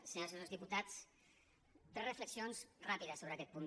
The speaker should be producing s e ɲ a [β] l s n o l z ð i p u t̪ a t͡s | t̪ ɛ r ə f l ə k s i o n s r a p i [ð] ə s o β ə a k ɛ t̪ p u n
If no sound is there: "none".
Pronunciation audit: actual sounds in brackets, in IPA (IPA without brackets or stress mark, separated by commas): none, ð